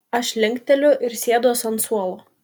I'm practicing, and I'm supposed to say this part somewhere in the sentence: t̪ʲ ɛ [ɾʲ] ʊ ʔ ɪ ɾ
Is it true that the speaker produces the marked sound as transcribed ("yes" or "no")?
no